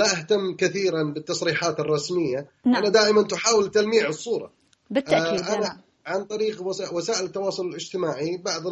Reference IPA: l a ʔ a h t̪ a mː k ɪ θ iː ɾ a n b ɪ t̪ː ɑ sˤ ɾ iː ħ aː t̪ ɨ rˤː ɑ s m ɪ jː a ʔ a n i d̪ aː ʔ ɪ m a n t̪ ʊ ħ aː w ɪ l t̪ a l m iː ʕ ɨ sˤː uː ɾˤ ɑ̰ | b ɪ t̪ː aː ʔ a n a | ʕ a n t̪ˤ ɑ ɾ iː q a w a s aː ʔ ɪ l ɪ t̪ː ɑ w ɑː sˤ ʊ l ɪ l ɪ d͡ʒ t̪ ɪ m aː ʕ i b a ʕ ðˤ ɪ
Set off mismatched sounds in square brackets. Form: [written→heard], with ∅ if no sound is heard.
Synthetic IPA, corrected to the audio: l a ʔ a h t̪ a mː k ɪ θ iː ɾ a n b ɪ t̪ː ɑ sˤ ɾ iː ħ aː t̪ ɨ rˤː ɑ s m ɪ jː a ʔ a n [i→a] d̪ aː ʔ ɪ m a n t̪ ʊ ħ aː w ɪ l t̪ a l m iː ʕ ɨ sˤː uː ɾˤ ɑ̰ | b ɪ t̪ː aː ʔ a n a | ʕ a n t̪ˤ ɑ ɾ iː q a w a s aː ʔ ɪ l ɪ t̪ː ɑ w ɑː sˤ ʊ l ɪ l ɪ d͡ʒ t̪ ɪ m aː ʕ i b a ʕ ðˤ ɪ